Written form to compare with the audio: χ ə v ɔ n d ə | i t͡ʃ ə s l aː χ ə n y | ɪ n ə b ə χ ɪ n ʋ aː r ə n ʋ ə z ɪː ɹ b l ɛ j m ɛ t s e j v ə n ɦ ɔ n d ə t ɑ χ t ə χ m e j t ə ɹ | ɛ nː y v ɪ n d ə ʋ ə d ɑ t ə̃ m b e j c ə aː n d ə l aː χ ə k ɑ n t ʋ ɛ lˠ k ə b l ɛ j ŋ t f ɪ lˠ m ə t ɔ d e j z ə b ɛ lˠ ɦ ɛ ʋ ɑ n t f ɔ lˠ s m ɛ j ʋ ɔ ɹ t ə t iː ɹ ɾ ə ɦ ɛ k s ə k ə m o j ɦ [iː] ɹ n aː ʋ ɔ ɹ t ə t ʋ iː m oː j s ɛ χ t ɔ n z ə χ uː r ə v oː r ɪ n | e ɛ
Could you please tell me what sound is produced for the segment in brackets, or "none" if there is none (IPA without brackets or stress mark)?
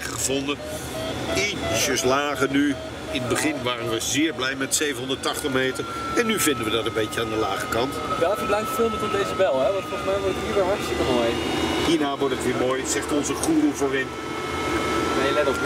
iː